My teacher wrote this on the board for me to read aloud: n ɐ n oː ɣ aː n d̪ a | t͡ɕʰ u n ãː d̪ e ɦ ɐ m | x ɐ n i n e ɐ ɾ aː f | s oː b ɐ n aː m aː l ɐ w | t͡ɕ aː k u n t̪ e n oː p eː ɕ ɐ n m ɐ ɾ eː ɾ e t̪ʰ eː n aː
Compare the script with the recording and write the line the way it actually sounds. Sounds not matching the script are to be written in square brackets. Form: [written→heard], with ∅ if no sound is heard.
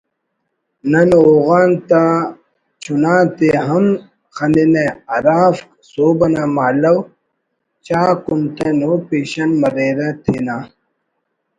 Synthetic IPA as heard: n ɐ n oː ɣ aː n [d̪→t̪] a | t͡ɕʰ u n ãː [d̪→t̪] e ɦ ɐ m | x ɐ n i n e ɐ ɾ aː f | s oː b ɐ n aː m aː l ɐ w | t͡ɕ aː k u n t̪ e n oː p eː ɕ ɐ n m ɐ ɾ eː ɾ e t̪ʰ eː n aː